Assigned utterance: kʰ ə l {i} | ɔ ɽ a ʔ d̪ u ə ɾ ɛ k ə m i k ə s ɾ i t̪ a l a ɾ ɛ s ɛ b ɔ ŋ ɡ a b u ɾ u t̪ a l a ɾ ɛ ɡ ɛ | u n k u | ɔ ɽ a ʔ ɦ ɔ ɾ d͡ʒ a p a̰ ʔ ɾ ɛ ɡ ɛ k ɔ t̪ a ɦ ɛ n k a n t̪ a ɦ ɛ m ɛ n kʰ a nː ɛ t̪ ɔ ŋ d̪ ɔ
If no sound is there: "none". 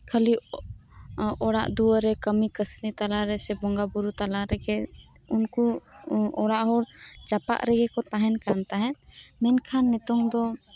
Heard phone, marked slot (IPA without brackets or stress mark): i